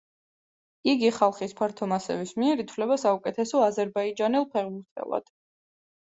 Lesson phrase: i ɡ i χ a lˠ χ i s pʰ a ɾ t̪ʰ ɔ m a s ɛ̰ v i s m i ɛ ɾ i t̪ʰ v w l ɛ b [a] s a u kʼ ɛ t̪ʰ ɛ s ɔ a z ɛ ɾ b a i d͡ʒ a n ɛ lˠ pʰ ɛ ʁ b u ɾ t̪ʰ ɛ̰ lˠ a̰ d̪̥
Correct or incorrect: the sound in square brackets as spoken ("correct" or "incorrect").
correct